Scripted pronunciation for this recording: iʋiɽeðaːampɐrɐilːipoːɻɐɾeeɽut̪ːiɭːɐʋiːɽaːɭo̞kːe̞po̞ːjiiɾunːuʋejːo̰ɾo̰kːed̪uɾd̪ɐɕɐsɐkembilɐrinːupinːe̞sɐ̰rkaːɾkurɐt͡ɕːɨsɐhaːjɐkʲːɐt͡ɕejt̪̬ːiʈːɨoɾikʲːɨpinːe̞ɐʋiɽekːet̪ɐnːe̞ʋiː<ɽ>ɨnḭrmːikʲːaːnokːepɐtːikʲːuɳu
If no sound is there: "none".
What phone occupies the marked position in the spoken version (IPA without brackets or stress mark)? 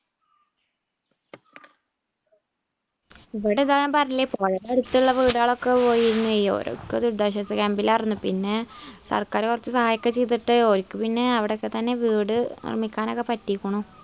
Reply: ɽ